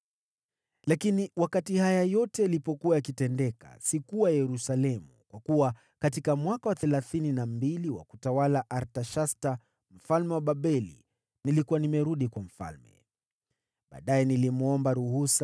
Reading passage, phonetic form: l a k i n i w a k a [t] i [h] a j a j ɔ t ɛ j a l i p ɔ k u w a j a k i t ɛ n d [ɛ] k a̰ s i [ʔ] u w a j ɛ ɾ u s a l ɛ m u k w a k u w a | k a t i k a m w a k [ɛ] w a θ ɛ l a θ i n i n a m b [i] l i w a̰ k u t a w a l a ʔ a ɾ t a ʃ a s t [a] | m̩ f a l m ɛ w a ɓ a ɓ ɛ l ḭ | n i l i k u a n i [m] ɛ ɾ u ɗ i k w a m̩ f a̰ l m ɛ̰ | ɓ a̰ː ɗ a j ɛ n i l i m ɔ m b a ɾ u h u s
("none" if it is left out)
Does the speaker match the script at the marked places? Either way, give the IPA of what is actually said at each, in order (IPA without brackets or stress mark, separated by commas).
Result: t, h, ɛ, k, a, i, a, m